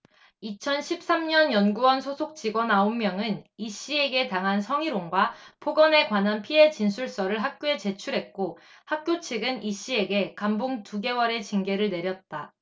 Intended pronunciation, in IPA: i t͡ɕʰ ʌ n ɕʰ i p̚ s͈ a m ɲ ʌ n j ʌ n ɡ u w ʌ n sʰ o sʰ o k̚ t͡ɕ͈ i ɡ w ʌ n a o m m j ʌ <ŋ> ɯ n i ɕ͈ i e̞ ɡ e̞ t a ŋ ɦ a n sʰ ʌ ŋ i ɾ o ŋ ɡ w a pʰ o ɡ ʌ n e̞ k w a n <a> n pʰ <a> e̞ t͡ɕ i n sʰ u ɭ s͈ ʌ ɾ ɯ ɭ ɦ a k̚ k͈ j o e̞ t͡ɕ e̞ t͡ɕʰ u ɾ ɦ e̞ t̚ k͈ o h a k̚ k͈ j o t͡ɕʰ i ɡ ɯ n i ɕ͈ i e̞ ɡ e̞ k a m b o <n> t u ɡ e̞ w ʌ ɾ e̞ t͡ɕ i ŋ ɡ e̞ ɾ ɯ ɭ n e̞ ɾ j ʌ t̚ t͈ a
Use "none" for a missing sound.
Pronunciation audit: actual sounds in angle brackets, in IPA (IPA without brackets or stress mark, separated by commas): ŋ, a, i, ŋ